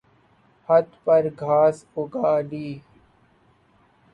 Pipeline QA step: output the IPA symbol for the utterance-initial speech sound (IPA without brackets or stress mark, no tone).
h